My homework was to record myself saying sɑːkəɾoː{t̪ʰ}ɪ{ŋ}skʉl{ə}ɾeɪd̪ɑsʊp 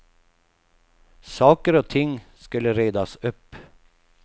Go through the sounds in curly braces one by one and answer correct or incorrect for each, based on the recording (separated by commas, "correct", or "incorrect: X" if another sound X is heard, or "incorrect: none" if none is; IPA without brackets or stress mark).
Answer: correct, correct, correct